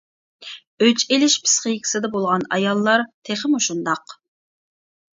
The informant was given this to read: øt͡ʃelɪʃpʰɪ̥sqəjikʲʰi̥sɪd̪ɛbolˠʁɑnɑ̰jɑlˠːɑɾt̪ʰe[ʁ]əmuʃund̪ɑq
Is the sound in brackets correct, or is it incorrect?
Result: incorrect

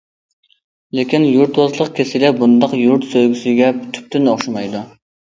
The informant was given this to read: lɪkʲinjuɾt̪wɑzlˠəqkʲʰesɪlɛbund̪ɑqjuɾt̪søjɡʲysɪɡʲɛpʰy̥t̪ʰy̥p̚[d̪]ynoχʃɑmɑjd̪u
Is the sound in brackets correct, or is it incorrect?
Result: incorrect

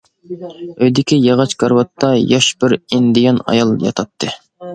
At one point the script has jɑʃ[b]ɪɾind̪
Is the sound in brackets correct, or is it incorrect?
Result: correct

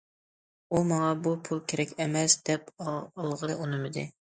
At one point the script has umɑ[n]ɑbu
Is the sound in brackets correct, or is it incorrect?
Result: incorrect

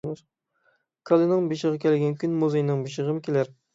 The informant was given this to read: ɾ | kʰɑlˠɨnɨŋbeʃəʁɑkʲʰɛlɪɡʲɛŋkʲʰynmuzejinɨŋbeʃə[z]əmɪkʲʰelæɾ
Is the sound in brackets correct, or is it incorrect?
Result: incorrect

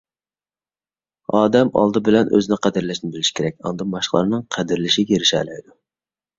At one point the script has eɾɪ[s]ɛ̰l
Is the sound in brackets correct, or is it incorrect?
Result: incorrect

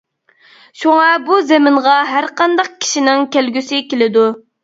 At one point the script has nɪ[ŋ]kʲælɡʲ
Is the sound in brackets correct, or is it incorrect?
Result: correct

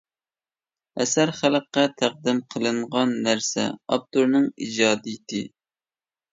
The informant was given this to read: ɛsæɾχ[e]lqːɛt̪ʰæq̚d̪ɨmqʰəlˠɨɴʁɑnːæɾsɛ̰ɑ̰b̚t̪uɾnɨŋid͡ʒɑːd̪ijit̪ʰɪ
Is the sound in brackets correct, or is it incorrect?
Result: incorrect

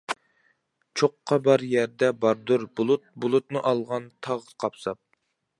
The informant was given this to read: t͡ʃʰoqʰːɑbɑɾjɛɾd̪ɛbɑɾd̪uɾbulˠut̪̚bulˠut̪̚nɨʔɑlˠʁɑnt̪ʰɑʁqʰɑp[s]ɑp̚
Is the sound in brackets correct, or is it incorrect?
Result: correct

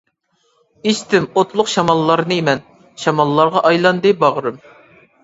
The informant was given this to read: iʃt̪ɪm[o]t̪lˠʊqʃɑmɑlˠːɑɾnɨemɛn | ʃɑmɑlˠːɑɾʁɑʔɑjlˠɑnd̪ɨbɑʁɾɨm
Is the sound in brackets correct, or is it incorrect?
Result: correct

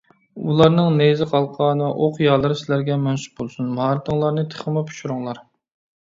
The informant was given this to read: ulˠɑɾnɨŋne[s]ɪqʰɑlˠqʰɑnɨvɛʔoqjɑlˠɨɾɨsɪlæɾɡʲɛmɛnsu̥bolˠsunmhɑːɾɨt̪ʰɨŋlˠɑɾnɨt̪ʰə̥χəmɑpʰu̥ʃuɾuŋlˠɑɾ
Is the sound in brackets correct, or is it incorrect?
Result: incorrect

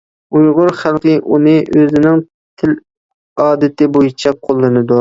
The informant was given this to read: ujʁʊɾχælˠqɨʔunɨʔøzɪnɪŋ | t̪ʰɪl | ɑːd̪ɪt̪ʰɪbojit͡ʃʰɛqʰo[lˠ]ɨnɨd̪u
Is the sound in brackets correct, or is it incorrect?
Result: incorrect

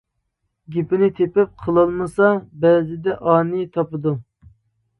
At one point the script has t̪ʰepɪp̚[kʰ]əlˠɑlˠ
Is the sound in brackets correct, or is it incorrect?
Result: incorrect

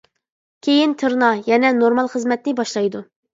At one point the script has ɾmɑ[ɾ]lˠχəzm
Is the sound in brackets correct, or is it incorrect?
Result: incorrect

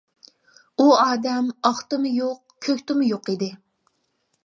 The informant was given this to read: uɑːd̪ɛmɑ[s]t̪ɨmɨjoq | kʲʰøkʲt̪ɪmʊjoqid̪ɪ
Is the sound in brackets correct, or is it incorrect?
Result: incorrect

